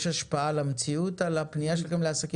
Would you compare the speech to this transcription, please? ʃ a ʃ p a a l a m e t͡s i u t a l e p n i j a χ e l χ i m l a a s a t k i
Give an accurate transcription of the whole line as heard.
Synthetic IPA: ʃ a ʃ p a a l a m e t͡s i u t a l a p n i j a ʃ e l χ e m l e a s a k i